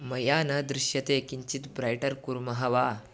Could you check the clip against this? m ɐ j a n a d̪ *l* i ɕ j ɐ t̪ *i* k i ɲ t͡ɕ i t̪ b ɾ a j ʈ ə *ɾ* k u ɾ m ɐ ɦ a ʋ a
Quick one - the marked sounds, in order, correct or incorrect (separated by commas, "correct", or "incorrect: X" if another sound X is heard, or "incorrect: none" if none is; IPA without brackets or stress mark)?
incorrect: ɾ, incorrect: e, correct